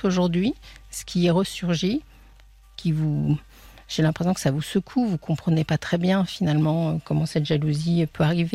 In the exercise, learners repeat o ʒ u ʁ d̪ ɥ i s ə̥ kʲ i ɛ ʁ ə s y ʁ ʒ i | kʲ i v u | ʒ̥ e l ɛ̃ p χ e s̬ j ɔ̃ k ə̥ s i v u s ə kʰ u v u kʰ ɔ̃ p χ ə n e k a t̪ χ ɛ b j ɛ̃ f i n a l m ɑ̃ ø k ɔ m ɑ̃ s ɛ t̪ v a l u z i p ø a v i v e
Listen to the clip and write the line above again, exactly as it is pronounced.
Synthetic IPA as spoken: o ʒ u ʁ d̪ ɥ i s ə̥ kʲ i ɛ ʁ ə s y ʁ ʒ i | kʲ i v u | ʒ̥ e l ɛ̃ p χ e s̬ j ɔ̃ k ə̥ s a v u s ə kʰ u v u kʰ ɔ̃ p χ ə n e p a t̪ χ ɛ b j ɛ̃ f i n a l m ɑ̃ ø k ɔ m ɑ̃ s ɛ t̪ ʒ a l u z i p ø a ʁ i v e